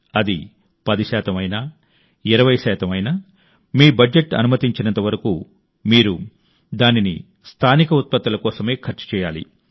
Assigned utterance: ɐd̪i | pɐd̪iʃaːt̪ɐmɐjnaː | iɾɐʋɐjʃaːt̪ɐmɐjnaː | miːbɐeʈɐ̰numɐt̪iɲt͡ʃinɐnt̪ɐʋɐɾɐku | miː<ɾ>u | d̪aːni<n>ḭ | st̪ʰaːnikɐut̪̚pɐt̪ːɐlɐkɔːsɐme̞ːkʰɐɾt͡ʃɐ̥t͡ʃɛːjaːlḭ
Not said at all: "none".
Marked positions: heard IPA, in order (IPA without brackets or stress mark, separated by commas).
ɾ, n